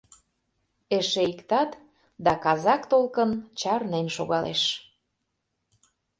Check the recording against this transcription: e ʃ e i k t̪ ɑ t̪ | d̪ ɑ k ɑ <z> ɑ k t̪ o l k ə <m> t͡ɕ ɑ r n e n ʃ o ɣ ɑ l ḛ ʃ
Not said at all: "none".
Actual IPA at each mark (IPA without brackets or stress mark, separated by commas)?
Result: z, n